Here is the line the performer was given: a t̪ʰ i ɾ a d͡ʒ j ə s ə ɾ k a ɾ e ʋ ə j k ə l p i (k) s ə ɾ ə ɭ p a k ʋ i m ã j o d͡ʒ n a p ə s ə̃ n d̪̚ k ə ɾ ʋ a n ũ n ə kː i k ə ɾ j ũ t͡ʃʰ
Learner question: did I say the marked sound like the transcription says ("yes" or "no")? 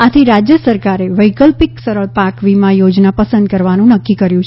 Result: yes